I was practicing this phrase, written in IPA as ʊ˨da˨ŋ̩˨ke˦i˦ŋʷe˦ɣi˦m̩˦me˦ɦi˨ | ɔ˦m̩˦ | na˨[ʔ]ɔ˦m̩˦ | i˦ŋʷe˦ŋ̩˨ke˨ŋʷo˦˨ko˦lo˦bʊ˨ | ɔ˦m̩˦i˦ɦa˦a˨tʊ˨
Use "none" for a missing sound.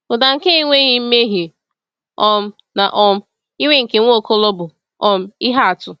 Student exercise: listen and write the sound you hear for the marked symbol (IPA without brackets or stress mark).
ʔ